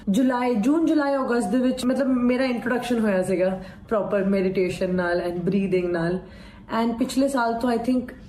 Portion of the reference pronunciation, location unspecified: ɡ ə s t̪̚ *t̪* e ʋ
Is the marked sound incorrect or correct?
incorrect